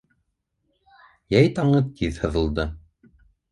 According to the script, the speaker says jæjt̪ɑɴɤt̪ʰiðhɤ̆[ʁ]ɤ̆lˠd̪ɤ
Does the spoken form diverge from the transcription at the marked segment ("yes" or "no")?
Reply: yes